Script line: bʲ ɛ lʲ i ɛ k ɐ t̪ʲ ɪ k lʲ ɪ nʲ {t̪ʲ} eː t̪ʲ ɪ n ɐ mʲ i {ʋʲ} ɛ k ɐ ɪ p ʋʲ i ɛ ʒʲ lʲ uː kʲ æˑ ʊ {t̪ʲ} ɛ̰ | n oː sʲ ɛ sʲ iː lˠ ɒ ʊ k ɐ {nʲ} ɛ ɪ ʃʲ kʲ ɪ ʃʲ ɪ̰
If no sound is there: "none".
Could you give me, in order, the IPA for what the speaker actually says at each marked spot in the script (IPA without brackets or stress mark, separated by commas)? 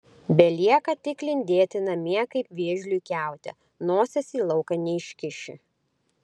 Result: d̪ʲ, none, t̪ʲ, nʲ